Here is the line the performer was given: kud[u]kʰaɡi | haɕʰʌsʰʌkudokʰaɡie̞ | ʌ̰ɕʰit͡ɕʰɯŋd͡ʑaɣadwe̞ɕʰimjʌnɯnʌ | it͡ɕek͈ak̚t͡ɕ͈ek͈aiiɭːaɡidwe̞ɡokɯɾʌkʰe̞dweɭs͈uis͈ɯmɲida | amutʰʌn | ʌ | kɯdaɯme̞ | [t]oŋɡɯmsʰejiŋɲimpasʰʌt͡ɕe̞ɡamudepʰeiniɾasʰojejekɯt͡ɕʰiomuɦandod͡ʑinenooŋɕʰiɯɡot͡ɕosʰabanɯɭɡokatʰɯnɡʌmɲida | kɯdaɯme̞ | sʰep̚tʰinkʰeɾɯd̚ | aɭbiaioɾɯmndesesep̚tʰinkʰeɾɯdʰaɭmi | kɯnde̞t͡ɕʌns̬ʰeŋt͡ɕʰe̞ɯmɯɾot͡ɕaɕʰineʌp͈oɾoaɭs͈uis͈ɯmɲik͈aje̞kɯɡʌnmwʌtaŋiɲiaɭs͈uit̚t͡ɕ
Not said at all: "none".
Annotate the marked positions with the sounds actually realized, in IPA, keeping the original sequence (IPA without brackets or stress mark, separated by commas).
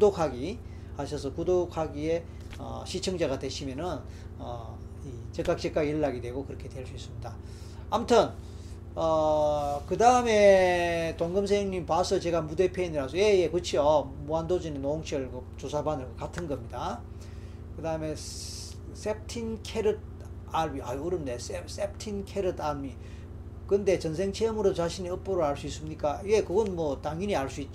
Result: o, t